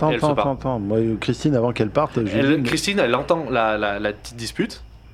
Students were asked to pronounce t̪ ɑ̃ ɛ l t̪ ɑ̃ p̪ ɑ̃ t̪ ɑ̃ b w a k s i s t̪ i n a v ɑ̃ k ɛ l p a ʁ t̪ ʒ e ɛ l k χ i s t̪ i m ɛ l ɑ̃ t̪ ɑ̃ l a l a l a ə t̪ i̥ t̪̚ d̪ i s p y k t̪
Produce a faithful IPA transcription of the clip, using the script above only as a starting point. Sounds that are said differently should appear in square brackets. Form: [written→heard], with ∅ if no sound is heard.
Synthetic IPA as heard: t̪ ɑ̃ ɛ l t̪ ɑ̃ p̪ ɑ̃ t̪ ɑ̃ [b→m] w a k [s→χ] i s t̪ i n a v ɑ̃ k ɛ l p a ʁ t̪ ʒ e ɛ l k χ i s t̪ i [m→n] ɛ l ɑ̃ t̪ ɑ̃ l a l a l a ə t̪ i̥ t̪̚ d̪ i s p y [k→∅] t̪